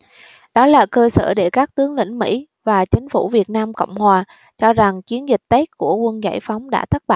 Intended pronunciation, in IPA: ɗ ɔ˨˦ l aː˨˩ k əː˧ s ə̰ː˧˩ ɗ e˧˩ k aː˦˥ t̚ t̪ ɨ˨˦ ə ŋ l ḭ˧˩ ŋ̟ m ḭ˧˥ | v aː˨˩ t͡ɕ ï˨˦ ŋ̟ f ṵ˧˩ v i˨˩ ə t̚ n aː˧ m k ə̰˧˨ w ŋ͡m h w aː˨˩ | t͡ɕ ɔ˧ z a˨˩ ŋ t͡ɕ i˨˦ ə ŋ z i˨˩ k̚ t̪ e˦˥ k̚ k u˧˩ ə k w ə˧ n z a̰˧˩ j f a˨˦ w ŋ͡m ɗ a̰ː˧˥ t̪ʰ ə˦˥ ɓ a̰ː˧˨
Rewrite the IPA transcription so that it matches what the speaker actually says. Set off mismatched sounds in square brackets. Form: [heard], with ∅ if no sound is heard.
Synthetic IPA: ɗ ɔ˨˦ l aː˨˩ k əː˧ s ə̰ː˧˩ ɗ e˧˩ k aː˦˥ [k̚] t̪ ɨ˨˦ ə ŋ l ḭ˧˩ ŋ̟ m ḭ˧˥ | v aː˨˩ t͡ɕ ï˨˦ ŋ̟ f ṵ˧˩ v i˨˩ ə t̚ n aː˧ m k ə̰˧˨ w ŋ͡m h w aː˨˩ | t͡ɕ ɔ˧ z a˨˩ ŋ t͡ɕ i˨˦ ə [n] z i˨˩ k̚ t̪ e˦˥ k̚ k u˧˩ ə k w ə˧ n z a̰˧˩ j f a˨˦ w ŋ͡m ɗ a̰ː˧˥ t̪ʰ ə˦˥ ɓ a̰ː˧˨